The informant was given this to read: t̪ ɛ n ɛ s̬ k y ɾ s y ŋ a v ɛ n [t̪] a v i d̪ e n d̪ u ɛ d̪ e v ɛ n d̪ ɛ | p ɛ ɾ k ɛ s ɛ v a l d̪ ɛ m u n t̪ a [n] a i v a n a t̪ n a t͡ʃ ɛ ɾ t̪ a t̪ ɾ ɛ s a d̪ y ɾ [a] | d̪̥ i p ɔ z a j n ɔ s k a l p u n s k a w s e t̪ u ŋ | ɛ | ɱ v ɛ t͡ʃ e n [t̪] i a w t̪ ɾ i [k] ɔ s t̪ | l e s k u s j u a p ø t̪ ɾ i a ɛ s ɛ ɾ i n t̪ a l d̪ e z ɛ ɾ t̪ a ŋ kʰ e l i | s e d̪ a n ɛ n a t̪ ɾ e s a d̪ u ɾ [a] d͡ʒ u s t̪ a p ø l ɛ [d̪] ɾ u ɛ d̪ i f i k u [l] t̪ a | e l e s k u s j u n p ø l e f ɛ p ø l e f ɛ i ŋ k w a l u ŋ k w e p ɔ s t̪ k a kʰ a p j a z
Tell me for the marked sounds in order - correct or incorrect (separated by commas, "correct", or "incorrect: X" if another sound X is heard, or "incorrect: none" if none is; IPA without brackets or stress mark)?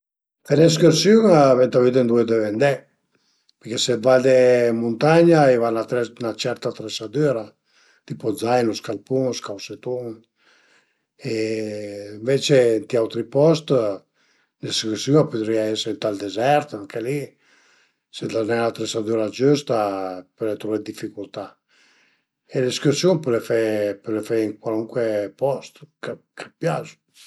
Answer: correct, incorrect: ɲ, correct, correct, incorrect: p, correct, incorrect: t̪, correct